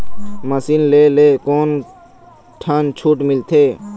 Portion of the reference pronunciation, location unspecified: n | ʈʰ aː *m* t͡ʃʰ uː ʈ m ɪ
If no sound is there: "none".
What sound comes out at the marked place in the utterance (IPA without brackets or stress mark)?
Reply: n